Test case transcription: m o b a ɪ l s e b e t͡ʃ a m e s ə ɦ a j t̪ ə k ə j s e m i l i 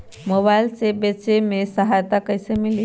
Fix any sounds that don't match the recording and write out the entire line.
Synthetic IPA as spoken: m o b a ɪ l s e b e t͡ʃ e m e s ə ɦ a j t̪ a k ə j s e m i l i